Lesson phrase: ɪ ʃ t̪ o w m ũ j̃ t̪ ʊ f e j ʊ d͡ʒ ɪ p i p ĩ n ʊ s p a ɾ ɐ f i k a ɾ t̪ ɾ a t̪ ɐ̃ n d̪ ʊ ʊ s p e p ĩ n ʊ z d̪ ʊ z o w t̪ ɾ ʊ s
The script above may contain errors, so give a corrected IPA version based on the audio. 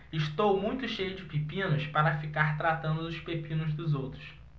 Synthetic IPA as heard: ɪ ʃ t̪ o w m ũ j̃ t̪ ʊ ʃ e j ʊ d͡ʒ ɪ p i p ĩ n ʊ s p a ɾ ɐ f i k a ɾ t̪ ɾ a t̪ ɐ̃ n d̪ ʊ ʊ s p e p ĩ n ʊ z d̪ ʊ z o w t̪ ɾ ʊ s